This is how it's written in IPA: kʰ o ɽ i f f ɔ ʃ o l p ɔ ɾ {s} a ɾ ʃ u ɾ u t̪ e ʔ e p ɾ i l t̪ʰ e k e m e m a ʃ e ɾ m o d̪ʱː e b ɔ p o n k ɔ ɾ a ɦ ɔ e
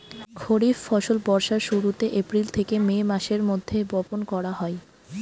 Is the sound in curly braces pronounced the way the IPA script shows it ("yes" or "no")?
no